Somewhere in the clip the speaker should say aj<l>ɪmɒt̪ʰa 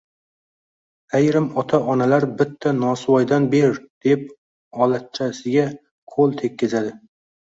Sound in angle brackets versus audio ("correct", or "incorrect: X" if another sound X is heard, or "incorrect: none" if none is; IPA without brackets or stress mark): incorrect: ɾ